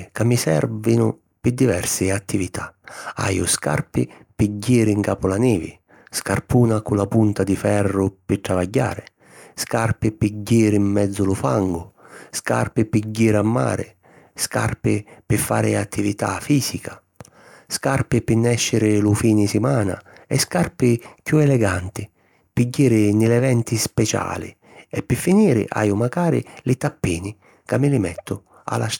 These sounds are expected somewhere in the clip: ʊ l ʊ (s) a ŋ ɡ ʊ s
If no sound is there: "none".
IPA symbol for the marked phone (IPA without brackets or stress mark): f